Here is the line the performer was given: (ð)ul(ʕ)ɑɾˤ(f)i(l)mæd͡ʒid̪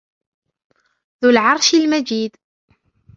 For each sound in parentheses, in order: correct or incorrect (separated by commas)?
correct, correct, incorrect, correct